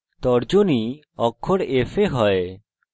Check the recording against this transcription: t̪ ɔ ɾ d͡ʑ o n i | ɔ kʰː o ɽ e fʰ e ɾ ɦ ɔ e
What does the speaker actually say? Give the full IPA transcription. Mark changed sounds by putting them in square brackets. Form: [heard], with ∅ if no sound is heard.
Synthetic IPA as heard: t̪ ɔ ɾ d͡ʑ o n i | ɔ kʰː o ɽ e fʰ e [∅] ɦ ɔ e